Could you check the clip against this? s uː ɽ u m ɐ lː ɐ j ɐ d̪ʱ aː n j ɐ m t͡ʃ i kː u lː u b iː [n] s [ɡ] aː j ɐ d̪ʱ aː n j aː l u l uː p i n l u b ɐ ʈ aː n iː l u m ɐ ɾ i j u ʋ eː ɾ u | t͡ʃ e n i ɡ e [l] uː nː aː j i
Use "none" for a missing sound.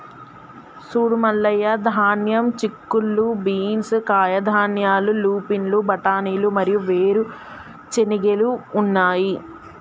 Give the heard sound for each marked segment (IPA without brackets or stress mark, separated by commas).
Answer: n, k, l